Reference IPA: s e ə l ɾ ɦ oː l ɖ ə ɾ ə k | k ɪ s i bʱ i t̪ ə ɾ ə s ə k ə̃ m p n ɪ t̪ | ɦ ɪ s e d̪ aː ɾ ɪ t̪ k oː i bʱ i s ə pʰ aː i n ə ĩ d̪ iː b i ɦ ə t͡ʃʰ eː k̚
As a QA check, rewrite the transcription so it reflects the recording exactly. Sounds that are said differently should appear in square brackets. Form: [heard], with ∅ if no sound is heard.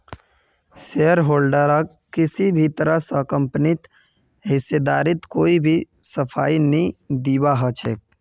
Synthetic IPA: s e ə [∅] ɾ ɦ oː l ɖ ə ɾ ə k | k ɪ s i bʱ i t̪ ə ɾ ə s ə k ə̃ m p n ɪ t̪ | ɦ ɪ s e d̪ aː ɾ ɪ t̪ k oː i bʱ i s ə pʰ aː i n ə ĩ d̪ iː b [a] ɦ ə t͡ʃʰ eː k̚